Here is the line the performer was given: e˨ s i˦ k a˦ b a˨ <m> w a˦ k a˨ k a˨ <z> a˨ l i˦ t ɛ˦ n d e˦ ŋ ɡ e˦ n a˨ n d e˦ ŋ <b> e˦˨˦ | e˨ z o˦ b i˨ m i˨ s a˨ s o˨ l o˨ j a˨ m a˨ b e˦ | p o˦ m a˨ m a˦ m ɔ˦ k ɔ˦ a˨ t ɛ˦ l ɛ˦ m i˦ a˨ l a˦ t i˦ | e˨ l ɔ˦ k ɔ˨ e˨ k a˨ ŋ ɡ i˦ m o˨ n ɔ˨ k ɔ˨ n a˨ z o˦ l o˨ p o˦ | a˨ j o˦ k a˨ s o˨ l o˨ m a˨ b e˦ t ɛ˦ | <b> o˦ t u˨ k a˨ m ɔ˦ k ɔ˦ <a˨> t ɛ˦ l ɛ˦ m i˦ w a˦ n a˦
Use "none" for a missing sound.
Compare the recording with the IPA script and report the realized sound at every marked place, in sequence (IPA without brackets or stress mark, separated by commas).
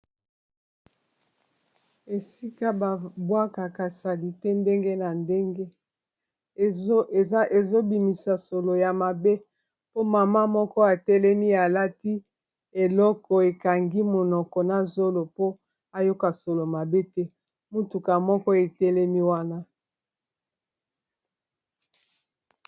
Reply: b, s, ɡ, m, e˨